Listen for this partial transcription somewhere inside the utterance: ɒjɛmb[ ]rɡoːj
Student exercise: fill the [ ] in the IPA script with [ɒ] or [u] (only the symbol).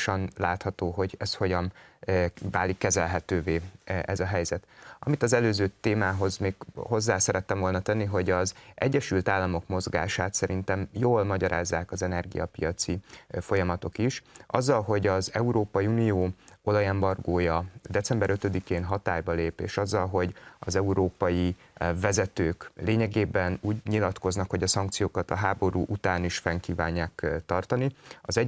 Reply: ɒ